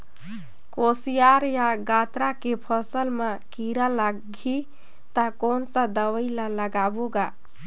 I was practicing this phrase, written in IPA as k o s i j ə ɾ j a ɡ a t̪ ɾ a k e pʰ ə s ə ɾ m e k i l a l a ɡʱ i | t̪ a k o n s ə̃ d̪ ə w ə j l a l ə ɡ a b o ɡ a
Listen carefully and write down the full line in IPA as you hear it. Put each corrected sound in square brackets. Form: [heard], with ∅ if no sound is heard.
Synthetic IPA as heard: k o s i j [a] ɾ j a ɡ a t̪ ɾ a k e pʰ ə s ə [l] m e k i [ɾ] a l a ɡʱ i | t̪ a k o n s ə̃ d̪ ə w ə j l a l ə ɡ a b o ɡ a